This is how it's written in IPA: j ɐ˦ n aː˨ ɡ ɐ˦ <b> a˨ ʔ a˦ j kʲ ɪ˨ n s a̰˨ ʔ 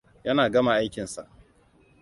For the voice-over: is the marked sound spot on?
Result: no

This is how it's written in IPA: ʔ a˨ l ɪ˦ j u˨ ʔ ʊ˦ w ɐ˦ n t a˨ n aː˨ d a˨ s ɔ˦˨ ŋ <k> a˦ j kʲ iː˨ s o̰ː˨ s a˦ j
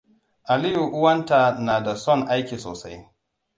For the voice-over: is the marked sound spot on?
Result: no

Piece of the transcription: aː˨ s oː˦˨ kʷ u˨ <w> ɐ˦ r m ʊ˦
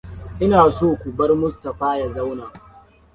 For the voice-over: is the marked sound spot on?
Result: no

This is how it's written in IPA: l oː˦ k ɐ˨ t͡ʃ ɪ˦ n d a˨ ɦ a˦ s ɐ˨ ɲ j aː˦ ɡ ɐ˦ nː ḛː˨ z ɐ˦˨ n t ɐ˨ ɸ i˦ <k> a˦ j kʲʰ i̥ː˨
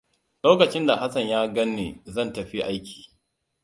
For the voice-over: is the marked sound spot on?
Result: no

